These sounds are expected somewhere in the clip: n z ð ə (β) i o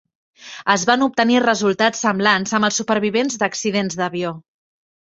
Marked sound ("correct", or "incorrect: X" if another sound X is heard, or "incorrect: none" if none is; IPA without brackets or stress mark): correct